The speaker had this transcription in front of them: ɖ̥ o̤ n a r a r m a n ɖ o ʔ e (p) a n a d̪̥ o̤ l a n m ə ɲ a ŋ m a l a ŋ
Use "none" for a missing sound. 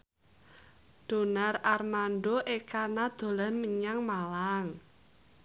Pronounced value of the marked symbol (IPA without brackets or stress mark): k